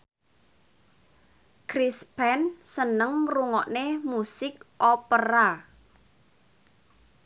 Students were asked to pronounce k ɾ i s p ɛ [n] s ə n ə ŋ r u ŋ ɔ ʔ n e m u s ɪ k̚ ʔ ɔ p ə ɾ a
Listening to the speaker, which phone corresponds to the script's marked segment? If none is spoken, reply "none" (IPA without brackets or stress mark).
n